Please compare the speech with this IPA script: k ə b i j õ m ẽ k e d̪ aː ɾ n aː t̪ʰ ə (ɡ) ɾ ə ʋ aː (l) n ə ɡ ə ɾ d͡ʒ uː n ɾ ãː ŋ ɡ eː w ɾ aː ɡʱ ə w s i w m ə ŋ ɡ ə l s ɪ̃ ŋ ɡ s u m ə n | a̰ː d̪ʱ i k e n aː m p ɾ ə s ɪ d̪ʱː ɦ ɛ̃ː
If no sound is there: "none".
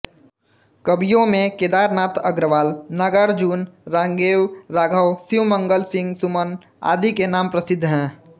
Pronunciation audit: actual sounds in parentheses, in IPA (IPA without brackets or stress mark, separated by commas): ɡ, l